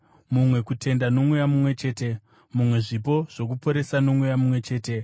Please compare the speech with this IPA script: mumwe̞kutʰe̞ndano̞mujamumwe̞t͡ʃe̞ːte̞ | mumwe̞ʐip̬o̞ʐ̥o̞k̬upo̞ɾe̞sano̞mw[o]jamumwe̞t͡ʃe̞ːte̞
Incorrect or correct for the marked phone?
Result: incorrect: u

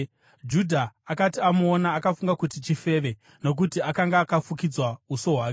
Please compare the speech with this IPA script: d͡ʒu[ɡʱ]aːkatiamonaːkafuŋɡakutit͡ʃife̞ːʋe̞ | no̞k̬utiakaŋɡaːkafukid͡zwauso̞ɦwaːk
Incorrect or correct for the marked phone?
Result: incorrect: dʱ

